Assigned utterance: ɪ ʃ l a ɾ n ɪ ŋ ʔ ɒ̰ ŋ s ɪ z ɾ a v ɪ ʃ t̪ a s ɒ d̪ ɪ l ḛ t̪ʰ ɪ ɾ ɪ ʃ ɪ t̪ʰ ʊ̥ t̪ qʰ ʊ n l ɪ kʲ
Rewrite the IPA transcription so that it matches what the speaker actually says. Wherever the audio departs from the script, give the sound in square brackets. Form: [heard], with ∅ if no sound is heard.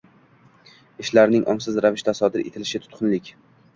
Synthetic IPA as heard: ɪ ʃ l a ɾ n ɪ ŋ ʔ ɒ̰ [m] s ɪ z ɾ a v ɪ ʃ t̪ a s ɒ d̪ ɪ [ɾ] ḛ t̪ʰ ɪ [l] ɪ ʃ ɪ t̪ʰ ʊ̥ t̪ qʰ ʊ n l ɪ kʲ